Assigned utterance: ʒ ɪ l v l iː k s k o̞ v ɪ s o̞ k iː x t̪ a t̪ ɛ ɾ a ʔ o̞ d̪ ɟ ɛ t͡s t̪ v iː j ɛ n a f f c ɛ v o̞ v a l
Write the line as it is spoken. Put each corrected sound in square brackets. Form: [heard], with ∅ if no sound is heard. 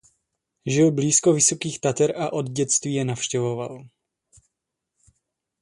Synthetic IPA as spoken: ʒ ɪ l [b] l iː [∅] s k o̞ v ɪ s o̞ k iː x t̪ a t̪ ɛ ɾ a ʔ o̞ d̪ ɟ ɛ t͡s t̪ v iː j ɛ n a f [ʃ] c ɛ v o̞ v a l